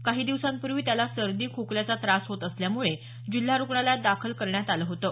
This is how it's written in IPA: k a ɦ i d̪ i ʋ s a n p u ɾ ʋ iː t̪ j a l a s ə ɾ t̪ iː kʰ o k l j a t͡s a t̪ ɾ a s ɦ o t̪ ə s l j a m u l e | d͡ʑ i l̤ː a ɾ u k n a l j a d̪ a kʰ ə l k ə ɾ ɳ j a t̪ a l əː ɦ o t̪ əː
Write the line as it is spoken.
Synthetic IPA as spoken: k a ɦ iː d̪ i ʋ s a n p u ɾ ʋ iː t̪ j a l a s ə ɾ d̪ iː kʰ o k l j a t͡s a t̪ ɾ a s ɦ o t̪ ə s l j a m u ɭ e | d͡ʑ i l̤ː a ɾ u k ɳ a l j a d̪ a kʰ ə l k ə ɾ ɳ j a t̪ a l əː ɦ o t̪ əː